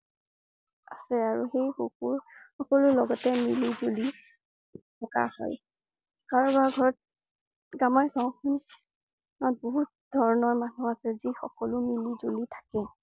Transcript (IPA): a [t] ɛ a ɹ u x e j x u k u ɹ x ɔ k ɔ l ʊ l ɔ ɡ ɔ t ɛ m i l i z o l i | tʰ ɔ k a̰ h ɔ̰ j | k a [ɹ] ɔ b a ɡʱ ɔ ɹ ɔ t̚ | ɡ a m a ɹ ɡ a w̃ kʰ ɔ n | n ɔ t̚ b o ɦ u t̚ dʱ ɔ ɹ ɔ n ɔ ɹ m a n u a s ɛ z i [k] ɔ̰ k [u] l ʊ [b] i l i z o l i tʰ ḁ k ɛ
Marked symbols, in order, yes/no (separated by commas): no, yes, no, no, no